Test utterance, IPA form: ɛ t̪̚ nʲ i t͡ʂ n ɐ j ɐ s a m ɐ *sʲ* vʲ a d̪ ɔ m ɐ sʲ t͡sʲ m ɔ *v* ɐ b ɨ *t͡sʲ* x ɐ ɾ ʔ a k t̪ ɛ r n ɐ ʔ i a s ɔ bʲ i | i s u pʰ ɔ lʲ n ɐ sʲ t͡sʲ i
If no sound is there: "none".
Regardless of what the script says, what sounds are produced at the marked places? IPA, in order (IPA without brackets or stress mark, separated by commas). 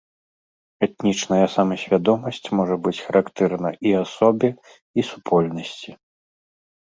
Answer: sʲ, ʐ, t͡sʲ